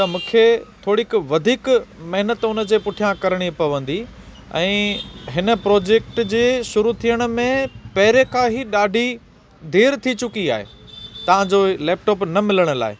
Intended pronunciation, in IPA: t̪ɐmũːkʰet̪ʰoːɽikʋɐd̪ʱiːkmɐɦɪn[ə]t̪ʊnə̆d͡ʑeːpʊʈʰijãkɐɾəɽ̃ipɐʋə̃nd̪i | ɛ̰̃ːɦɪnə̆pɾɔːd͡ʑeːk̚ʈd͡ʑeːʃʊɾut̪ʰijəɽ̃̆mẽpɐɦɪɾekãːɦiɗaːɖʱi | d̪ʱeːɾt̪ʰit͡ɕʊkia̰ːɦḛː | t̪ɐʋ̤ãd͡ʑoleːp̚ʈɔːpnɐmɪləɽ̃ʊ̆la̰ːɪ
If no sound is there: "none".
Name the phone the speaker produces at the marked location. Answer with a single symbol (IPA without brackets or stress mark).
ə